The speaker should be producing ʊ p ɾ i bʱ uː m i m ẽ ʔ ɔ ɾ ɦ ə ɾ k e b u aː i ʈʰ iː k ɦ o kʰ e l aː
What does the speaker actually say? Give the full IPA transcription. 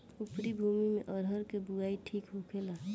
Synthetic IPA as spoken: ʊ p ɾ i bʱ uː m i m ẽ ʔ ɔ ɾ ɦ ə ɾ k e b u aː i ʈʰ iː k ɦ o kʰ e l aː